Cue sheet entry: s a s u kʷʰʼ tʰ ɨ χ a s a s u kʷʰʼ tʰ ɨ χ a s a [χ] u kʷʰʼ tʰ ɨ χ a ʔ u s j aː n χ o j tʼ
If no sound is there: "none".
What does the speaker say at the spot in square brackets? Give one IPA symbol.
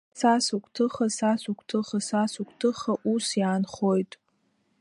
s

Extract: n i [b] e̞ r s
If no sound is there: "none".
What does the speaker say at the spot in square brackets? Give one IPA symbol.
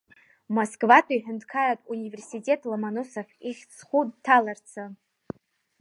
v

